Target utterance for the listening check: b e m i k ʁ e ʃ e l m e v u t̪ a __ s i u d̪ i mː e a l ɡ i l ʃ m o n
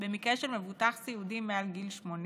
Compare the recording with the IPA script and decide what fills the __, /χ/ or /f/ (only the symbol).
χ